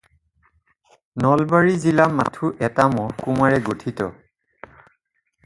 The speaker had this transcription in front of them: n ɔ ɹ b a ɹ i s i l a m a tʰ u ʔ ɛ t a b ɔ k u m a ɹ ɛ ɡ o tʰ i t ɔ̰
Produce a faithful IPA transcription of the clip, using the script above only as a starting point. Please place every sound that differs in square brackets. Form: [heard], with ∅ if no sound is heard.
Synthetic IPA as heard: n ɔ [l] b a ɹ i [z] i l a m a tʰ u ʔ ɛ t a [m] ɔ k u m a ɹ ɛ ɡ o tʰ i t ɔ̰